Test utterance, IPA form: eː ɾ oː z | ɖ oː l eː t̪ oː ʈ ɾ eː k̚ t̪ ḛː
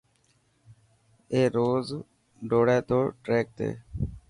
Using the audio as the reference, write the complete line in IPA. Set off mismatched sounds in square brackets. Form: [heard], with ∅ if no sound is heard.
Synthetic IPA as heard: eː ɾ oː z | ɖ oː [ɽ] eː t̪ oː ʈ ɾ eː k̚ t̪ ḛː